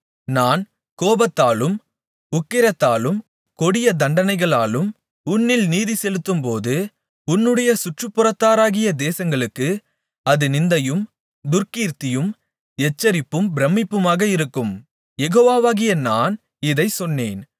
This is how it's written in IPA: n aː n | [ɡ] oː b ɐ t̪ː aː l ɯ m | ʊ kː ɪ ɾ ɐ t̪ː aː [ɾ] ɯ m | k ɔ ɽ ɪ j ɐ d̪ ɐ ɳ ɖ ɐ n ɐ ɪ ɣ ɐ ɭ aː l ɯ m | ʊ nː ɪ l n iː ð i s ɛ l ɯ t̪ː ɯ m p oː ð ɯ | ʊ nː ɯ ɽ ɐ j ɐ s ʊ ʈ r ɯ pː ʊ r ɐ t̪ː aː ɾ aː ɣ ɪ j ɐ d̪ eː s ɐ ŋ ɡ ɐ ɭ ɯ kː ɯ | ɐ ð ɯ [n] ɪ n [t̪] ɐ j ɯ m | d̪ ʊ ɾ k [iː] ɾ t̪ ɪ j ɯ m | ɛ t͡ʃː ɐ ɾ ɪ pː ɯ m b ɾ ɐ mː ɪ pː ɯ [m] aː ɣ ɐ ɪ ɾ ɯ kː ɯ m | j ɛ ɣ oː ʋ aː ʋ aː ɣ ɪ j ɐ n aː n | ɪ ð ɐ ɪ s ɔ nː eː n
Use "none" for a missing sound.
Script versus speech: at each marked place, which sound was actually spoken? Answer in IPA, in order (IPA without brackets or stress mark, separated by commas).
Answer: k, l, n, d̪, iː, m